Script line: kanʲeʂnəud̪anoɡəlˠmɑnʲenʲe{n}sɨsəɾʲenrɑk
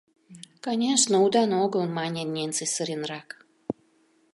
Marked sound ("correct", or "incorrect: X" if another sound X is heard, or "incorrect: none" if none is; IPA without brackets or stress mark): correct